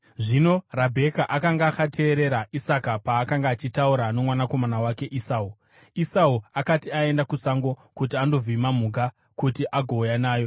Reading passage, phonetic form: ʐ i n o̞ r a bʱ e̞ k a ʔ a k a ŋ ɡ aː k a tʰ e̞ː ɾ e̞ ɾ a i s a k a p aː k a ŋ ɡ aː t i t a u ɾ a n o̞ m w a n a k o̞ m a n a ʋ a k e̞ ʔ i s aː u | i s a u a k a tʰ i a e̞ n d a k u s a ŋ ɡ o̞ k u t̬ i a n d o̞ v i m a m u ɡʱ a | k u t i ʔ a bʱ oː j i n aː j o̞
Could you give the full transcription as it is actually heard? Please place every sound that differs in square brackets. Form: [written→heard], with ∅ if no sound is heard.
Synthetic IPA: ʐ i n o̞ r a bʱ e̞ k a ʔ a k a ŋ ɡ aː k a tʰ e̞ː ɾ e̞ ɾ a i s a k a p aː k a ŋ ɡ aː [t→t͡ʃ] i t a u ɾ a n o̞ m w a n a k o̞ m a n a [ʋ→w] a k e̞ ʔ i s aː u | i s a u a k a [tʰ→t] i a e̞ n d a k u s a ŋ ɡ o̞ k u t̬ i a n d o̞ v i m a m u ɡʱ a | k u t i ʔ a [bʱ→ɡʱ] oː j [i→a] n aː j o̞

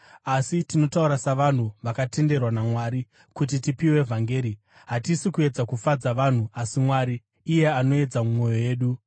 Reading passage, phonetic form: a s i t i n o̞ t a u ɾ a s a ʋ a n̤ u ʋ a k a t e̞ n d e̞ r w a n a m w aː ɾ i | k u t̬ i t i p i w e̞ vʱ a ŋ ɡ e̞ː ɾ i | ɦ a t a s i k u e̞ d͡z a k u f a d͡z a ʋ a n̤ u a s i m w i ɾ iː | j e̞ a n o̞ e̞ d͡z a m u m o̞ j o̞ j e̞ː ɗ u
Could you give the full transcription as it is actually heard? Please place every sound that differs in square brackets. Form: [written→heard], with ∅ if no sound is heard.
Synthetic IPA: a s i t i n o̞ t a u ɾ a s a ʋ a n̤ u ʋ a k a t e̞ n d e̞ r w a n a m w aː ɾ i | k u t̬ i t i p i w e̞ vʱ a ŋ ɡ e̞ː ɾ i | ɦ a t [a→i] s i k u e̞ d͡z a k u f a d͡z a ʋ a n̤ u a s i m w [i→a] ɾ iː | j e̞ a n o̞ e̞ d͡z a m u m o̞ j o̞ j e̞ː ɗ u

